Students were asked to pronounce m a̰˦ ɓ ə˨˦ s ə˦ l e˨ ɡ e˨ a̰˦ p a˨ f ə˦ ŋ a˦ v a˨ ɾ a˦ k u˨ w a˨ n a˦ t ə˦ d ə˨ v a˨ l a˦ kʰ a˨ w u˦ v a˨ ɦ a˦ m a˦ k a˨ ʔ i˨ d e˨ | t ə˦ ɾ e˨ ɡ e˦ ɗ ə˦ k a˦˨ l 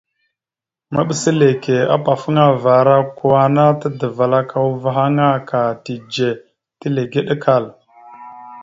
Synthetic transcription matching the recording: m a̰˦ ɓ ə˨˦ s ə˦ l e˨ k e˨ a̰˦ p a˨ f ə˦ ŋ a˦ v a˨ ɾ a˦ k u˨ w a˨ n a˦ t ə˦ d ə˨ v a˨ l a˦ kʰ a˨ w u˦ v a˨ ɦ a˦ ŋ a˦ k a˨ t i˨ d͡ʒ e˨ | t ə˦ l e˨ ɡ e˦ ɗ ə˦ k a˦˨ l